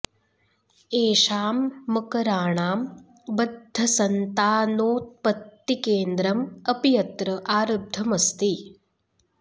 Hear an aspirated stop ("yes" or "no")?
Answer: no